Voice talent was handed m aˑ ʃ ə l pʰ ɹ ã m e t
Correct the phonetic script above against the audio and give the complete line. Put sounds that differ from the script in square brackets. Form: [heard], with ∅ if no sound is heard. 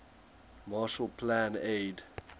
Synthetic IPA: m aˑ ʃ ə l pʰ [l] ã [n] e [d]